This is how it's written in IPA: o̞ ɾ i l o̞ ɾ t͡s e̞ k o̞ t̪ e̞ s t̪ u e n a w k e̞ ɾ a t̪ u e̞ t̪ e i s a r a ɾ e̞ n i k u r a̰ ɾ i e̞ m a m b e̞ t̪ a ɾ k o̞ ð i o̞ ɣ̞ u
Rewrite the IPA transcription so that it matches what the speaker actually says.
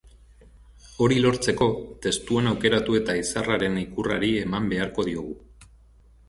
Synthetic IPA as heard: o̞ ɾ i l o̞ ɾ t͡s e̞ k o̞ t̪ e̞ s t̪ u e n a w k e̞ ɾ a t̪ u e̞ t̪ a i s a r a ɾ e̞ n i k u r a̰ ɾ i e̞ m a m b e̞ a ɾ k o̞ ð i o̞ ɣ̞ u